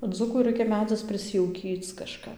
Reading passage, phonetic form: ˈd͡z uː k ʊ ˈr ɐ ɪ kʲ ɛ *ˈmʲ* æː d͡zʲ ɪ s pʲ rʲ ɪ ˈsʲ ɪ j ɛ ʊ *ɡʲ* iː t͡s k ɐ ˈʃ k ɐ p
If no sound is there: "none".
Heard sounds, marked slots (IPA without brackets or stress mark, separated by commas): mʲ, kʲ